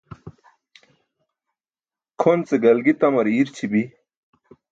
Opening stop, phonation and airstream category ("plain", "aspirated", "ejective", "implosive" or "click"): aspirated